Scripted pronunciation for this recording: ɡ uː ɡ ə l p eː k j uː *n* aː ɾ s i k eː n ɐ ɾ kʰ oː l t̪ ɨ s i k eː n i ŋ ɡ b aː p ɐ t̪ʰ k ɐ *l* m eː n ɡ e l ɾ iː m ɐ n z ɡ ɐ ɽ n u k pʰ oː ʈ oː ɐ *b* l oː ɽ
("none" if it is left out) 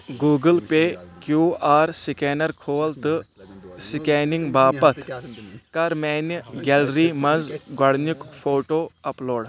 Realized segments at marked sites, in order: none, ɾ, p

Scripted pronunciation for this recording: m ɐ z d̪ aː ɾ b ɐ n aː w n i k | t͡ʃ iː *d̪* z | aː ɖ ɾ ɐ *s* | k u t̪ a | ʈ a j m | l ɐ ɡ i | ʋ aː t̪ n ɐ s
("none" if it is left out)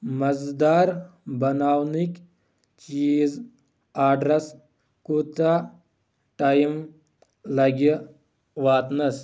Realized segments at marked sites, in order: none, s

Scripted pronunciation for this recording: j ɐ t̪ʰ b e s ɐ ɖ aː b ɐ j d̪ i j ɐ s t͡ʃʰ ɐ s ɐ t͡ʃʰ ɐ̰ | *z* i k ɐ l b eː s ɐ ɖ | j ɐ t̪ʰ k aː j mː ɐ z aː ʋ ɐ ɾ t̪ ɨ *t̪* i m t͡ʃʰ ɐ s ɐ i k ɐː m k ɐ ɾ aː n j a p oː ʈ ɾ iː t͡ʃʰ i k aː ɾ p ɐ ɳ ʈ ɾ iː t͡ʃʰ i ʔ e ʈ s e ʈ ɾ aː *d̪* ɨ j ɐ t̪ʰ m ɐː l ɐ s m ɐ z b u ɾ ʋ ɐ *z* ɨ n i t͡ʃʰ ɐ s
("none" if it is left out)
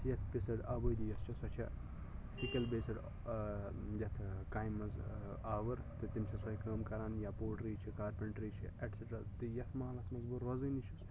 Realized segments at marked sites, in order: s, t̪, t̪, z

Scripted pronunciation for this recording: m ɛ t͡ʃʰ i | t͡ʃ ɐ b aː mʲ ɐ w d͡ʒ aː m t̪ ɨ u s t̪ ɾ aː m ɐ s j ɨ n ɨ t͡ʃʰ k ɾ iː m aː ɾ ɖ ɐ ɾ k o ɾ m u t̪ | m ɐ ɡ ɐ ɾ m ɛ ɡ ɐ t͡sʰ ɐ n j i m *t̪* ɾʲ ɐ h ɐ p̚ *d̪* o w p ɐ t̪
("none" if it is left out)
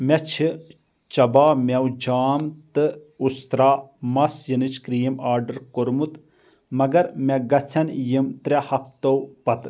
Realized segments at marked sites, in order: t̪, t̪

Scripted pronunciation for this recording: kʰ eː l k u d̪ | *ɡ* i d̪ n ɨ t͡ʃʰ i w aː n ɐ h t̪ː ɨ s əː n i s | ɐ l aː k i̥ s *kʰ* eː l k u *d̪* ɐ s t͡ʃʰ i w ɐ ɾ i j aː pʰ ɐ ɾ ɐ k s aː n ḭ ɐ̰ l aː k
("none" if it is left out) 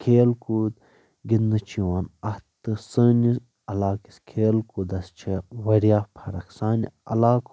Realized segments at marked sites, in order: ɡ, kʰ, d̪

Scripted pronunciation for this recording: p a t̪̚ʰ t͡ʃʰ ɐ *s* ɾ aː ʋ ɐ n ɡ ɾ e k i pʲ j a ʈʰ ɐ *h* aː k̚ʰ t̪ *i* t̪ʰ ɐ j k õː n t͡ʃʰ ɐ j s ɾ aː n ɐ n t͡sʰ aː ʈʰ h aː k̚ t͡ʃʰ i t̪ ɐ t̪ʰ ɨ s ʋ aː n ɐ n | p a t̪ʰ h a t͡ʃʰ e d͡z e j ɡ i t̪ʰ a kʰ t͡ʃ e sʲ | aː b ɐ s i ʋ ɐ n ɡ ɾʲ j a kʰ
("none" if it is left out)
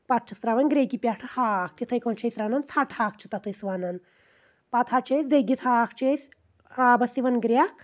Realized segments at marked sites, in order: s, h, i

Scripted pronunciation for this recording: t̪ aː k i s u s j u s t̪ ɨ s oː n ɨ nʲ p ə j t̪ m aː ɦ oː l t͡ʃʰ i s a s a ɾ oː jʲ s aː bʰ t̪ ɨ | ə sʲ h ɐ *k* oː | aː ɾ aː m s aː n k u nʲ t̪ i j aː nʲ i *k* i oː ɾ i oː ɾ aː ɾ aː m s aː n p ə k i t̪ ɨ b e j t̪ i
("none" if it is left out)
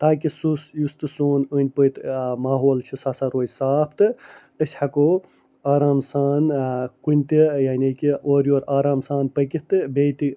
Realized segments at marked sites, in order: k, k

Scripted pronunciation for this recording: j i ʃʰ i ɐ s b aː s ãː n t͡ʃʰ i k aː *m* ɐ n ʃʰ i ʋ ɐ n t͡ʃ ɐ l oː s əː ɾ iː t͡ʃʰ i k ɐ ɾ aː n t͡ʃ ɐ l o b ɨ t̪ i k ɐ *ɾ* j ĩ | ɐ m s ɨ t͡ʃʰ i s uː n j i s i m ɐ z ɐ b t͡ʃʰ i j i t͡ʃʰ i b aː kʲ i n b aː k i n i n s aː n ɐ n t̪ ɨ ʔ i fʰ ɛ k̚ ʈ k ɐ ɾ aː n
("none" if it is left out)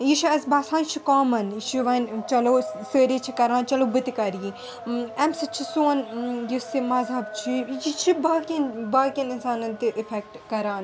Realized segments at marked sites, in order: m, ɾ

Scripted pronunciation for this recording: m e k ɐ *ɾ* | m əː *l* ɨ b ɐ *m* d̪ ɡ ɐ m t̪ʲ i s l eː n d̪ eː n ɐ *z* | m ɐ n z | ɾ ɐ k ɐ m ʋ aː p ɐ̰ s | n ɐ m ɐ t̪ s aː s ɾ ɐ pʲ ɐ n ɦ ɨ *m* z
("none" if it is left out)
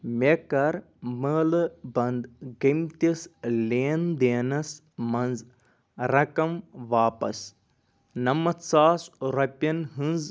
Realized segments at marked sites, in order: ɾ, l, n, s, n

